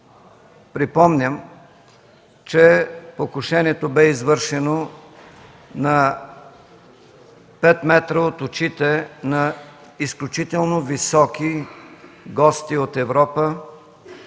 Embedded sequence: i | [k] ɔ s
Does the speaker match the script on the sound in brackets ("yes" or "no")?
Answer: no